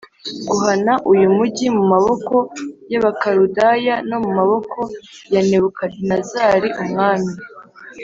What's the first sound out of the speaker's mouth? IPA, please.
ɡ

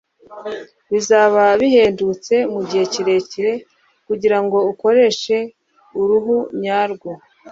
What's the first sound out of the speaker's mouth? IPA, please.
β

